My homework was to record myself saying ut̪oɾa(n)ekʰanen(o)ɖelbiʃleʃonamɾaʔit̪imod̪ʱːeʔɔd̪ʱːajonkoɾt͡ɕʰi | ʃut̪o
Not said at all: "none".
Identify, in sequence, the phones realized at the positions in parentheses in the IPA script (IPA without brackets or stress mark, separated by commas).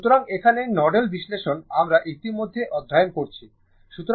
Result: ŋ, ɔ